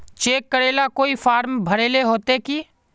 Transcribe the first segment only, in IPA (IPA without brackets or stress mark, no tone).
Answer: t͡ʃ